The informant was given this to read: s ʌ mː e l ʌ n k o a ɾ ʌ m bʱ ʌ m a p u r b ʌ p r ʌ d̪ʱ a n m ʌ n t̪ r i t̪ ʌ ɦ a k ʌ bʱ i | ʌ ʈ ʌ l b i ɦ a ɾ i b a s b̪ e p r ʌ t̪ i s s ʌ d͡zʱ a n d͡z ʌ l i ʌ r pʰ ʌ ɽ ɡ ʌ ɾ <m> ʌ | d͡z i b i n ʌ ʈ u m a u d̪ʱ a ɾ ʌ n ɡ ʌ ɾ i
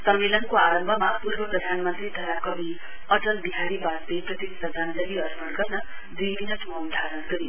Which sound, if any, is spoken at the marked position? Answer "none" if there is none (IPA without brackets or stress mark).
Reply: n